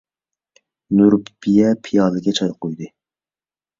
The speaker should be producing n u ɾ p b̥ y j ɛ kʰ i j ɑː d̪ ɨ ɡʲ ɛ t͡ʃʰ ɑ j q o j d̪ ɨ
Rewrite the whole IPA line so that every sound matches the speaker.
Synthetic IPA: n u ɾ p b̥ i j ɛ pʰ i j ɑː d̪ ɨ ɡʲ ɛ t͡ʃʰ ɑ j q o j d̪ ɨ